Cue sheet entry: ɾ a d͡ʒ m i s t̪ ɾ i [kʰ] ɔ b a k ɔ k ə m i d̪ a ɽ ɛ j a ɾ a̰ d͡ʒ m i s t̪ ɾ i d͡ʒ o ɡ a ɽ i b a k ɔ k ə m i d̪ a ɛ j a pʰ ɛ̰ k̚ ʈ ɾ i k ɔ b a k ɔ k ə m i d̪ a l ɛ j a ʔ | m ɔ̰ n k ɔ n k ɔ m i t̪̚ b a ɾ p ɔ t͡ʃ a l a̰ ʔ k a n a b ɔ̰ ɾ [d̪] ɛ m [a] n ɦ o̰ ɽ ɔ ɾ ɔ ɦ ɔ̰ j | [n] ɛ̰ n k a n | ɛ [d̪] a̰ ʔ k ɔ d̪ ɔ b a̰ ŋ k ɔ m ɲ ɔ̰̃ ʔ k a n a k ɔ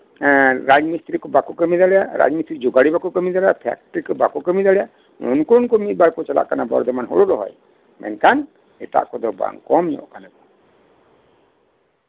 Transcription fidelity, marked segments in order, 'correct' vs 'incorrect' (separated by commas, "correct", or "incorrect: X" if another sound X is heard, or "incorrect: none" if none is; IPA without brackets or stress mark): incorrect: k, correct, correct, incorrect: m, incorrect: t̪